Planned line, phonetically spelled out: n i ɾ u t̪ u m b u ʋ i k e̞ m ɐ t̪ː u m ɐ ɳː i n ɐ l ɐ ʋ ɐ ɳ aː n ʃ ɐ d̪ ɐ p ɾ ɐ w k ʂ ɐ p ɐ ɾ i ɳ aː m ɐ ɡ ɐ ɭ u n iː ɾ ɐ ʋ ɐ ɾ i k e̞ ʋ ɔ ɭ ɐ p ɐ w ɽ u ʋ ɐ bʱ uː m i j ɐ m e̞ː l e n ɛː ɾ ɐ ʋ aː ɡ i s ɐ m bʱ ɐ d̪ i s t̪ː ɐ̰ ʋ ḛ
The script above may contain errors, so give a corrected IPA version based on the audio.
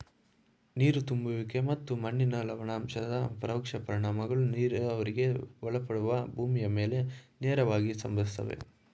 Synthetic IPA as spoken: n iː ɾ u t̪ u m b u ʋ i k e̞ m ɐ t̪ː u m ɐ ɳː i n ɐ l ɐ ʋ ɐ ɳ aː m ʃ ɐ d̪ ɐ p ɾ ɐ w k ʂ ɐ p ɐ ɾ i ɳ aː m ɐ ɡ ɐ ɭ u n iː ɾ ɐ ʋ ɐ ɾ i ɡ e̞ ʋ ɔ ɭ ɐ p ɐ ɽ u ʋ ɐ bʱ uː m i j ɐ m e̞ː l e n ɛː ɾ ɐ ʋ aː ɡ i s ɐ m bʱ ɐ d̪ i s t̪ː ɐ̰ ʋ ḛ